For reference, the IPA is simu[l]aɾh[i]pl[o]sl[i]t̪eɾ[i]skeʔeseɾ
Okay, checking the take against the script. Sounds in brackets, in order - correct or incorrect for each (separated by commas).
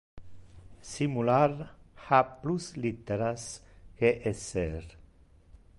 correct, incorrect, incorrect, correct, incorrect